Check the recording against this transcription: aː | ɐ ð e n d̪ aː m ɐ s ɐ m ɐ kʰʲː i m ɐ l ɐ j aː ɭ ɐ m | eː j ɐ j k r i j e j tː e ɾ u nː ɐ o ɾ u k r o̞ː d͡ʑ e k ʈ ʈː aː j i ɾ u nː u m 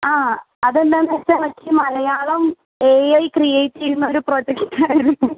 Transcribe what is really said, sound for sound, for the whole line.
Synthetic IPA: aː | ɐ ð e n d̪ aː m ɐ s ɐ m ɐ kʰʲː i m ɐ l ɐ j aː ɭ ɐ m | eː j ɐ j k r i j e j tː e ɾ u nː ɐ o ɾ u p r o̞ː d͡ʑ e k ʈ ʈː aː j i ɾ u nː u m